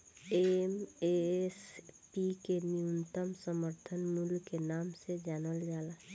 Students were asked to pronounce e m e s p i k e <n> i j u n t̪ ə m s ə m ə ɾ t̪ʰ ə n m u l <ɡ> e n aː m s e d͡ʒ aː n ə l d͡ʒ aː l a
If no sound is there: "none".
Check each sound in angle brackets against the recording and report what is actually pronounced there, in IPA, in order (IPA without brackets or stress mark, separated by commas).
n, k